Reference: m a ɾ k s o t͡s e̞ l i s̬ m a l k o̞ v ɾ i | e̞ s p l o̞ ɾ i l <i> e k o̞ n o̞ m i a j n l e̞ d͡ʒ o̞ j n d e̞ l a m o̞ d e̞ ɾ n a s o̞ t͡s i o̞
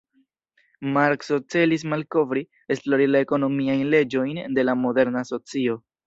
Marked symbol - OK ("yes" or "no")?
no